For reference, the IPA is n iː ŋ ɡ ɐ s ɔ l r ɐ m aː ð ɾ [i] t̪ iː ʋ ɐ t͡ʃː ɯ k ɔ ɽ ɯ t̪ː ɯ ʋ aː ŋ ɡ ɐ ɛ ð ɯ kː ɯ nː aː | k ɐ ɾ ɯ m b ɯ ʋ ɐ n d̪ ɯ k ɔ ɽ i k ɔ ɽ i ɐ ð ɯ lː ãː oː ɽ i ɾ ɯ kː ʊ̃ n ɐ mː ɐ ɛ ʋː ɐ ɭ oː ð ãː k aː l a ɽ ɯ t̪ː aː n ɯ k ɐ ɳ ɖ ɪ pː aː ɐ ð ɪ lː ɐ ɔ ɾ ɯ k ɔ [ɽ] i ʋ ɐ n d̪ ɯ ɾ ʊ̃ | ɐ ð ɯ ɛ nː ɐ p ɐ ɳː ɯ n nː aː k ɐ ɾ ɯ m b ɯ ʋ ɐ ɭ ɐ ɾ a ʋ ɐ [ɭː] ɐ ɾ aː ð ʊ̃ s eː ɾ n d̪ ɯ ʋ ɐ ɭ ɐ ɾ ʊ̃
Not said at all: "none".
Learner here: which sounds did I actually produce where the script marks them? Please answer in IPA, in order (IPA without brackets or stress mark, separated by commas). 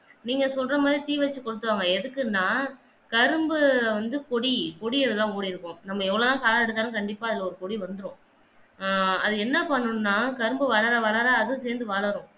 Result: i, ɽ, ɭ